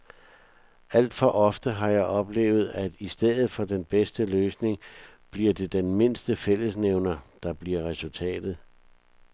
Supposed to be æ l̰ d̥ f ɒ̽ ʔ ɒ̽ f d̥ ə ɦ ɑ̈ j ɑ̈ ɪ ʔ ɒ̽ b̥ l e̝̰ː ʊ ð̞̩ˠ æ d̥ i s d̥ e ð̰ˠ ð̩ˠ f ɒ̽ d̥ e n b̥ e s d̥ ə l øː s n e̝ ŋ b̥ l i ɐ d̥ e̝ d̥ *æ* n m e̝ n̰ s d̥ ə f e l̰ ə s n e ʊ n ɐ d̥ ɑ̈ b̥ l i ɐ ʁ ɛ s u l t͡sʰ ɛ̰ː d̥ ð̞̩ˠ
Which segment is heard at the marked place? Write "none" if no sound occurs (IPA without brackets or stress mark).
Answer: e